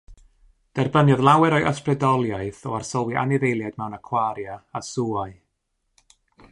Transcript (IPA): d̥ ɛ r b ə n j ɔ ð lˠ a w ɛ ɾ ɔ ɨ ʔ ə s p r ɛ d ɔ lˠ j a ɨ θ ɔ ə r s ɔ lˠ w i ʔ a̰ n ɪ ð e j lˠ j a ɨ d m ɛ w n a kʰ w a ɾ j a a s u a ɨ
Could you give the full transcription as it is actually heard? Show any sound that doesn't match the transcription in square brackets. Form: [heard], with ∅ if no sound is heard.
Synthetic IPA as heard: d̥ ɛ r b ə n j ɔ ð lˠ a w ɛ ɾ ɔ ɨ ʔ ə s p r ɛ d ɔ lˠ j a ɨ θ ɔ [a] r s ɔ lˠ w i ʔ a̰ n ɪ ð e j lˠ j a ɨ d m ɛ w n a kʰ w a ɾ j a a s u a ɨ